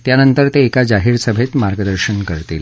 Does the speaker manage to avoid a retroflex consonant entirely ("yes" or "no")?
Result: yes